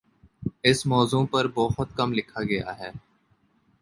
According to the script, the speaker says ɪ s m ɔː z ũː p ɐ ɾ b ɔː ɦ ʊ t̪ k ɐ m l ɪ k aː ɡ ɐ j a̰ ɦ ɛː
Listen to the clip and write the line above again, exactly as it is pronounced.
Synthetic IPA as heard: ɪ s m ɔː z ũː p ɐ ɾ b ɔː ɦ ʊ t̪ k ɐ m l ɪ kʰ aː ɡ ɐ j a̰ ɦ ɛː